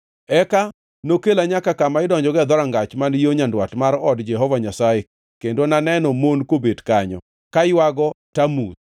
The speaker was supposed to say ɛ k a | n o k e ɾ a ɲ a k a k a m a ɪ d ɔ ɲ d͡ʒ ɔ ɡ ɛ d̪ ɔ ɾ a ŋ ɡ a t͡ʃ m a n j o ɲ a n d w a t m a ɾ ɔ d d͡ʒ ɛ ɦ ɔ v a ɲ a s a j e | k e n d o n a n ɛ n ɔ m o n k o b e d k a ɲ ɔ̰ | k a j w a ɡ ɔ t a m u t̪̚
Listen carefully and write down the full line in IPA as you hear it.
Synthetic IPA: ɛ k a | n o k e l a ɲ a k a k a m a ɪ d ɔ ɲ d͡ʒ ɔ ɡ ɛ d̪ ɔ ɾ a ŋ ɡ a t͡ʃ m a n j o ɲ a n d w a t m a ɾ ɔ d d͡ʒ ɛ ɦ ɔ v a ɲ a s a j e | k e n d o n a n ɛ n ɔ m o n k o b e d k a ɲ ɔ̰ | k a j w a ɡ ɔ t a m u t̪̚